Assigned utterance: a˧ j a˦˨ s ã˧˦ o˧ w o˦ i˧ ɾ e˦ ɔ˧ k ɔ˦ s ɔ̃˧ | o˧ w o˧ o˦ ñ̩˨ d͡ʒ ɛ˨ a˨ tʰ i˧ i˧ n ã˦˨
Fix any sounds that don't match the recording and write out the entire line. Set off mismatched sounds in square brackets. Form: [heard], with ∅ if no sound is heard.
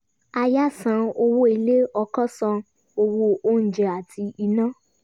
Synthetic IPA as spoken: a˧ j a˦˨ s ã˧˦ o˧ w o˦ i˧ [l] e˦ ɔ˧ k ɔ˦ s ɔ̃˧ | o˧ w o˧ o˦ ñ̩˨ d͡ʒ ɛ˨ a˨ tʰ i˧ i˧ n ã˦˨